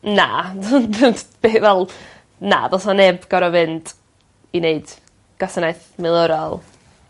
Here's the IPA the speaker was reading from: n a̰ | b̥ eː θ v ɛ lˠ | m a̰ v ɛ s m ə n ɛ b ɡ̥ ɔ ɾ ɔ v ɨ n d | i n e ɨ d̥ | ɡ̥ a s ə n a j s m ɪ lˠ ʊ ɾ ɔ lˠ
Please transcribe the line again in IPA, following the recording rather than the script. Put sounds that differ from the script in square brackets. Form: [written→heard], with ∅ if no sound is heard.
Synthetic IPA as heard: n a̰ | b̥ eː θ v ɛ lˠ | [m→n] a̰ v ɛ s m [ə→a] n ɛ b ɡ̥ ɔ ɾ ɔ v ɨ n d | i n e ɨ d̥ | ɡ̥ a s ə n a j [s→θ] m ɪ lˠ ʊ ɾ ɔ lˠ